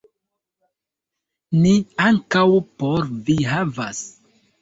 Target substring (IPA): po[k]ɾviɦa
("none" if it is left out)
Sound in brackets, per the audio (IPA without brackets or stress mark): none